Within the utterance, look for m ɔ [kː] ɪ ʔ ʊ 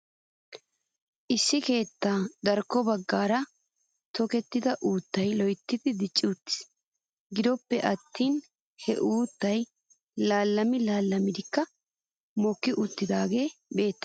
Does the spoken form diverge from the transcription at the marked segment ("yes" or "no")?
no